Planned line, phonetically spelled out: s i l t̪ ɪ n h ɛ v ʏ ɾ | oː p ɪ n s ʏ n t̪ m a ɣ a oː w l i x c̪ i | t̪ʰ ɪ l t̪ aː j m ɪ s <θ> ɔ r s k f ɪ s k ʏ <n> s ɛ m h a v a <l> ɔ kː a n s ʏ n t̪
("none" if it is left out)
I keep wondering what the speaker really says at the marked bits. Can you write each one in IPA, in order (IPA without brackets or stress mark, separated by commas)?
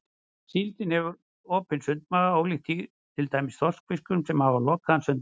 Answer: θ, m, l